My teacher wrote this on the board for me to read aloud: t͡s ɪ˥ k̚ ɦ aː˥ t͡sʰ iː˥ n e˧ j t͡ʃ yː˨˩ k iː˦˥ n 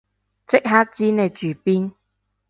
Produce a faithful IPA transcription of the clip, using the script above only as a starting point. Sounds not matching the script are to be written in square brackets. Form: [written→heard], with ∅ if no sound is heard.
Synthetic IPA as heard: t͡s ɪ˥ k̚ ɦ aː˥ [t͡sʰ→t͡s] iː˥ n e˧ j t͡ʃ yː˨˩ [k→p] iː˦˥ n